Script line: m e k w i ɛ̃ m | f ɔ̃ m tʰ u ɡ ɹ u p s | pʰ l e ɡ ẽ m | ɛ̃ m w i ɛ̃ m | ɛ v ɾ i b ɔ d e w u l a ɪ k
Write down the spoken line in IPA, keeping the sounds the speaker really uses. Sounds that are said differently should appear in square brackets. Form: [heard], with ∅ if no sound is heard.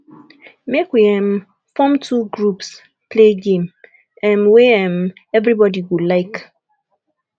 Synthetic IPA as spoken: m e k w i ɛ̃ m | f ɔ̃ m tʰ u ɡ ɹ u p s | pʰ l e ɡ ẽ m | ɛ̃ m w [e] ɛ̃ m | ɛ v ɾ i b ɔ d [i] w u l a ɪ k